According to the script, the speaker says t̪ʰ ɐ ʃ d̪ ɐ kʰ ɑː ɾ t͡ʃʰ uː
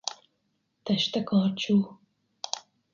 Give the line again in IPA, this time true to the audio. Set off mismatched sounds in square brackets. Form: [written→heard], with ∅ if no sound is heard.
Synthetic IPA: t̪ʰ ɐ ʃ [d̪→t̪] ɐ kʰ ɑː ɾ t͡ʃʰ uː

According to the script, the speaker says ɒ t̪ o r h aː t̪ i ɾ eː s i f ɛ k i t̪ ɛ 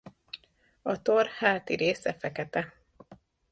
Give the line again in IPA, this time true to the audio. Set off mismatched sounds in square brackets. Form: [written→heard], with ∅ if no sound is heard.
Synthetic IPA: ɒ t̪ o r h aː t̪ i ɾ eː s [i→ɛ] f ɛ k [i→ɛ] t̪ ɛ

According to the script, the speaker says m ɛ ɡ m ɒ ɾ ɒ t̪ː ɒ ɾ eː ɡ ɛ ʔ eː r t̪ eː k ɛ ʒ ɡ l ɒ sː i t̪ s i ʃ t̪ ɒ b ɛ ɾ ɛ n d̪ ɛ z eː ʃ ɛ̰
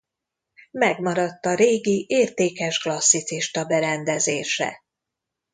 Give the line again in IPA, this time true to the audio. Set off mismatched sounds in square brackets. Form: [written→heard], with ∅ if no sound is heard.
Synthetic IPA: m ɛ ɡ m ɒ ɾ ɒ t̪ː ɒ ɾ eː ɡ [ɛ→i] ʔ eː r t̪ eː k ɛ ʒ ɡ l ɒ sː i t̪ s i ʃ t̪ ɒ b ɛ ɾ ɛ n d̪ ɛ z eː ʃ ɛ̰

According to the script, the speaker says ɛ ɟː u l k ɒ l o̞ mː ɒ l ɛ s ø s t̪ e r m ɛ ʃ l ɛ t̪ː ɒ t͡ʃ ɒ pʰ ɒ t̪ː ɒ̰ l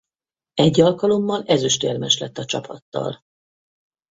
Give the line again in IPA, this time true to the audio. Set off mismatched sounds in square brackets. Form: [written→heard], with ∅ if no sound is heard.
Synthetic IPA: ɛ ɟː [u→ɒ] l k ɒ l o̞ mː ɒ l ɛ [s→z] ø [s→ʃ] t̪ e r m ɛ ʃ l ɛ t̪ː ɒ t͡ʃ ɒ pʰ ɒ t̪ː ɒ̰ l

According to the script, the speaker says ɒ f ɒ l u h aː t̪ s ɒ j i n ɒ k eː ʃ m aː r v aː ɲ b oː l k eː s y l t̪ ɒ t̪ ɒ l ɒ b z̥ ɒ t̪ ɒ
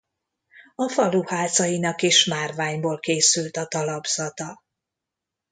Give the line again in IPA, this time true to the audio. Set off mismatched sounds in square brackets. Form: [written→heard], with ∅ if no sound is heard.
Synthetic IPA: ɒ f ɒ l u h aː t̪ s ɒ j i n ɒ k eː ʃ m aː r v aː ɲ b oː l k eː s y l t̪ ɒ t̪ ɒ l ɒ b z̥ ɒ t̪ ɒ

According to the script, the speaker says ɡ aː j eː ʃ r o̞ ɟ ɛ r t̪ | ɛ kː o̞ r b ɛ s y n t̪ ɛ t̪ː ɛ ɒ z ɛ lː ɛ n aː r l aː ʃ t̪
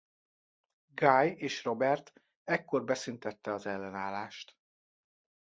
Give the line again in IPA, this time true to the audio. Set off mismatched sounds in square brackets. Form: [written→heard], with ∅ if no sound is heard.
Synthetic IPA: ɡ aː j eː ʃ r o̞ [ɟ→b] ɛ r t̪ | ɛ kː o̞ r b ɛ s y n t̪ ɛ t̪ː ɛ ɒ z ɛ lː ɛ n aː [r→∅] l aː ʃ t̪

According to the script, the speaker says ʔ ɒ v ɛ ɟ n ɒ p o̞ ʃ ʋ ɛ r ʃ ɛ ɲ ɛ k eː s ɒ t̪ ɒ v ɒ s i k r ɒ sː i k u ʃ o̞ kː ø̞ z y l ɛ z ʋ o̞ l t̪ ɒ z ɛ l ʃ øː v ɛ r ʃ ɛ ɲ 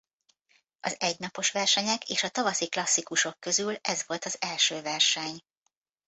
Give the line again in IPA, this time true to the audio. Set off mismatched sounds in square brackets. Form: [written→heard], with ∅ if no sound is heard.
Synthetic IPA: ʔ ɒ [v→z] ɛ ɟ n ɒ p o̞ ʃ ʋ ɛ r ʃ ɛ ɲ ɛ k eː [s→ʃ] ɒ t̪ ɒ v ɒ s i k [r→l] ɒ sː i k u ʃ o̞ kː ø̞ z y l ɛ z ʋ o̞ l t̪ ɒ z ɛ l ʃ øː v ɛ r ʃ ɛ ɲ

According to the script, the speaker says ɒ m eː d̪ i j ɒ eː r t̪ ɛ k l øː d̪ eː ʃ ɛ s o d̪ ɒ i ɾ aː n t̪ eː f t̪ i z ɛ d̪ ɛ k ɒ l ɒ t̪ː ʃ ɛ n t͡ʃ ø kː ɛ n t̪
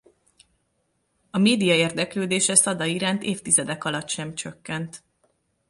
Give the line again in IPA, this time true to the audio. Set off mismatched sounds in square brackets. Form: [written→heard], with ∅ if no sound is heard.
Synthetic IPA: ɒ m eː d̪ i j ɒ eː r [t̪→d̪] ɛ k l øː d̪ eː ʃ ɛ s [o→ɒ] d̪ ɒ i ɾ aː n t̪ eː f t̪ i z ɛ d̪ ɛ k ɒ l ɒ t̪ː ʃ ɛ [n→m] t͡ʃ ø kː ɛ n t̪

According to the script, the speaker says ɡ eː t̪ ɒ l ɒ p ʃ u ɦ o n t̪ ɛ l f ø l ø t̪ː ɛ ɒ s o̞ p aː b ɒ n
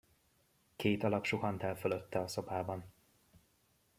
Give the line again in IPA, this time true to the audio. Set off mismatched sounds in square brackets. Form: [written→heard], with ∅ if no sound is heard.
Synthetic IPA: [ɡ→k] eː t̪ ɒ l ɒ p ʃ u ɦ [o→ɒ] n t̪ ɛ l f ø l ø t̪ː ɛ ɒ s o̞ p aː b ɒ n

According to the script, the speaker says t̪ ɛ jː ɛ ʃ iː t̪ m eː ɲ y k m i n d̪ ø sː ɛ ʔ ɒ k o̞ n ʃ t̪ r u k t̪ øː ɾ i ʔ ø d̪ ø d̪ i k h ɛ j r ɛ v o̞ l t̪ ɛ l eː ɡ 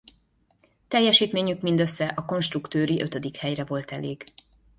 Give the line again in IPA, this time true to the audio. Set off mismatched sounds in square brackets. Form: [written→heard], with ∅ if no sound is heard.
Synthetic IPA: t̪ ɛ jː ɛ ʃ iː t̪ m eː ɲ y k m i n d̪ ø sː ɛ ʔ ɒ k o̞ n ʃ t̪ r u k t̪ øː ɾ i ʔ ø [d̪→t̪] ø d̪ i k h ɛ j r ɛ v o̞ l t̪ ɛ l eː ɡ

